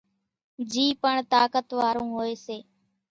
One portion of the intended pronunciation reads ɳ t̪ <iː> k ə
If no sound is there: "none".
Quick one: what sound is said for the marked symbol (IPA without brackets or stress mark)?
aː